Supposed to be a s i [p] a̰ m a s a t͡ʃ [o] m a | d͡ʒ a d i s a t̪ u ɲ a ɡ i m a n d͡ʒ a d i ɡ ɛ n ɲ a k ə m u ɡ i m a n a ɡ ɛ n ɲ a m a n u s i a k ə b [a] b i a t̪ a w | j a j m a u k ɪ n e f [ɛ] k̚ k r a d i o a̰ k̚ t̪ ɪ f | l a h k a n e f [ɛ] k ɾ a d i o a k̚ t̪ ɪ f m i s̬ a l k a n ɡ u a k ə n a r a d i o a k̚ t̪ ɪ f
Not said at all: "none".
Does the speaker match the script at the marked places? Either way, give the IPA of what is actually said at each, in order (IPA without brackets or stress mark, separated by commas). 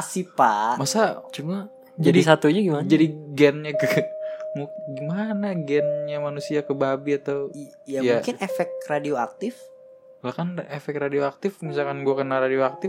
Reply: p, u, a, ɛ, ɛ